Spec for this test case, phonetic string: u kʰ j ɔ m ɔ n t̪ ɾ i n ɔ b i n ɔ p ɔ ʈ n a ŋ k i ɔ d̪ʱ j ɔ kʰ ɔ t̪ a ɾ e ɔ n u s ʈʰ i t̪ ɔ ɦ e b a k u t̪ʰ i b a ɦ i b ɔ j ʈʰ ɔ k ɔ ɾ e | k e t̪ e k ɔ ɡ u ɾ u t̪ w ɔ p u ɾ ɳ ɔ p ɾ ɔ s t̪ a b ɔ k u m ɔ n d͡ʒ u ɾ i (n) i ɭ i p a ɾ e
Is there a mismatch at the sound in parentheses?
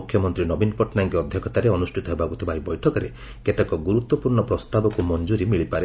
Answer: yes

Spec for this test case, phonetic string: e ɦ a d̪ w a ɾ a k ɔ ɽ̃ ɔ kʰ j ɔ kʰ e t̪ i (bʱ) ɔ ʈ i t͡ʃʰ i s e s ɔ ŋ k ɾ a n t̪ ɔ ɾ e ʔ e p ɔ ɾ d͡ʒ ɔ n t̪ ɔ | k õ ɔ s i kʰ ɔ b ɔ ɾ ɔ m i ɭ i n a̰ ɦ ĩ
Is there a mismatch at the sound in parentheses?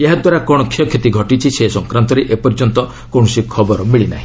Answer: yes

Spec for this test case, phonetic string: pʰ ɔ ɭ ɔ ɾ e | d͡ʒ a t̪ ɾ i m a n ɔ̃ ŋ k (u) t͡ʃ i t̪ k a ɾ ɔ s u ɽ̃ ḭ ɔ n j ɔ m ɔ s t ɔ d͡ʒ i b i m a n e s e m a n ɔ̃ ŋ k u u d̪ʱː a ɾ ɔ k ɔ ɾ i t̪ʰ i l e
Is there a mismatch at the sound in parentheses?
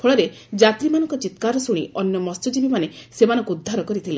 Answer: yes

